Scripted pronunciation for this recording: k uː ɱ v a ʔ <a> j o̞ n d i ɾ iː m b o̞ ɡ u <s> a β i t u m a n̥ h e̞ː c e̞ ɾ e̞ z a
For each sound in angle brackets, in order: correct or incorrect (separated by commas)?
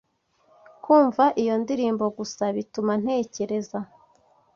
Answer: incorrect, correct